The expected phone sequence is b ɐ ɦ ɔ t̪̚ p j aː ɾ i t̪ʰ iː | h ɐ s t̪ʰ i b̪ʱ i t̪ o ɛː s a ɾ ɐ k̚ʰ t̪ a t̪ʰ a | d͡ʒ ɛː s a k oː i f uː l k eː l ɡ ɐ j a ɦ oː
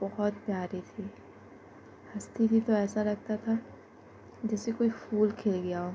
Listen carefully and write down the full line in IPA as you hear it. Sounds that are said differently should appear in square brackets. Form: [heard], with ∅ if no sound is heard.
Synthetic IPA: b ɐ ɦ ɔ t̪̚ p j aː ɾ i t̪ʰ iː | h ɐ s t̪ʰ i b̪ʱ i t̪ o ɛː s a ɾ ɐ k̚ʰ t̪ a t̪ʰ a | d͡ʒ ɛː s [e] k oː i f uː l [kʰ] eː l ɡ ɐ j a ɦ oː